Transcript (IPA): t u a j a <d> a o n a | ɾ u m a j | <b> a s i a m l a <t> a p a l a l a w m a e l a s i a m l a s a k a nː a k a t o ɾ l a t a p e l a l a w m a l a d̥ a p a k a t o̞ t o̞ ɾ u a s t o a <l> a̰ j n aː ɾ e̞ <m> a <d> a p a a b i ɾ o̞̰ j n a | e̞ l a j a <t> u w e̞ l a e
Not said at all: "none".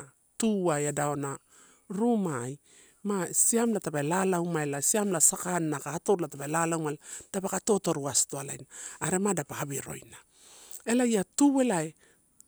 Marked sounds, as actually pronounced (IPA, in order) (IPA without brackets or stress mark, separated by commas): d, m, t, l, m, d, t